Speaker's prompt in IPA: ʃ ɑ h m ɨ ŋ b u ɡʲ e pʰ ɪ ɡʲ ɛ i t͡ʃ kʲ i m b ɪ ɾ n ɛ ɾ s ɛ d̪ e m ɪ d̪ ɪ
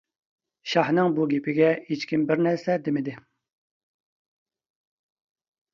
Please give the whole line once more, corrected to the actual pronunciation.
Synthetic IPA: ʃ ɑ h n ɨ ŋ b u ɡʲ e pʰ ɪ ɡʲ ɛ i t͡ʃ kʲ i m b ɪ ɾ n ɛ ɾ s ɛ d̪ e m ɪ d̪ ɪ